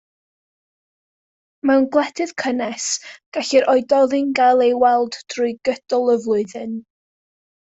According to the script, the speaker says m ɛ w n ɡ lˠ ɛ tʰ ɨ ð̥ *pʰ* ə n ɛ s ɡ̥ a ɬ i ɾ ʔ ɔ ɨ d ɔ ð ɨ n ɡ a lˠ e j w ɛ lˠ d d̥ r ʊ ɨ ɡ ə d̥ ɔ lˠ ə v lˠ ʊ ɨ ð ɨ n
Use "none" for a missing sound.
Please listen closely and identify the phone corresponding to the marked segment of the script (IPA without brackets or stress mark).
kʰ